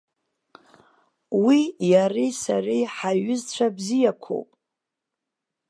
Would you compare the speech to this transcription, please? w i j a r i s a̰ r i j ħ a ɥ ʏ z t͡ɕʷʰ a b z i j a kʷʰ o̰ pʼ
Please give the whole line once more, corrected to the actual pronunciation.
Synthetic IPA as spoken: w i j a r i s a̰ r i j ħ a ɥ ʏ z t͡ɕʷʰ a b z i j a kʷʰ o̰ pʼ

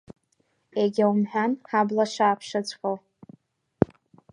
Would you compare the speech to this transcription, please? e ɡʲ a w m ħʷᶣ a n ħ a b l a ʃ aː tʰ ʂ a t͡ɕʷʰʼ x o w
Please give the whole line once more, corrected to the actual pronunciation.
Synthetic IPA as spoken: e ɡʲ a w m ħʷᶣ a n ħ a b l a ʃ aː pʰ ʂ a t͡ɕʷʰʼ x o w

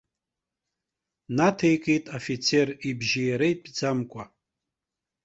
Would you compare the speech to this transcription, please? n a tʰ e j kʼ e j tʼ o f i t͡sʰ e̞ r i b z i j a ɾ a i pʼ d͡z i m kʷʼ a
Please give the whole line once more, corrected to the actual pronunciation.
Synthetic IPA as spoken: n a tʰ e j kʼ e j tʼ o f i t͡sʰ e̞ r i b ʒ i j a ɾ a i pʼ d͡z a m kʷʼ a

